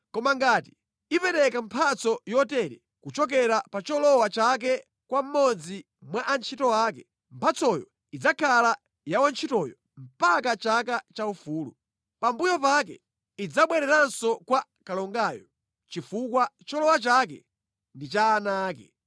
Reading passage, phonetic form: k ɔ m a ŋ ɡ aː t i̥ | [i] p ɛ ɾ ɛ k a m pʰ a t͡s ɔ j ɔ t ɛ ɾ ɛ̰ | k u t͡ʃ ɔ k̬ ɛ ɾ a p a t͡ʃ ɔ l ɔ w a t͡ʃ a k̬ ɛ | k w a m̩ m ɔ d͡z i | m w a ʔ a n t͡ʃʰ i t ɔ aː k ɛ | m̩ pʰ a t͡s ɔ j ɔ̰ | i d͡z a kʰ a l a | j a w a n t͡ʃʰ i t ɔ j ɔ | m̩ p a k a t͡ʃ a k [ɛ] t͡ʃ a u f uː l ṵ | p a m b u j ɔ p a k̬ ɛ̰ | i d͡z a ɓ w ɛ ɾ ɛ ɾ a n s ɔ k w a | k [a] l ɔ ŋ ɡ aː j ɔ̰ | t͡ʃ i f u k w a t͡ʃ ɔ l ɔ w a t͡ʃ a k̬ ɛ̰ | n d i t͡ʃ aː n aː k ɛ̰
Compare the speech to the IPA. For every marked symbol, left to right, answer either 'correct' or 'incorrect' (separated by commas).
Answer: correct, incorrect, correct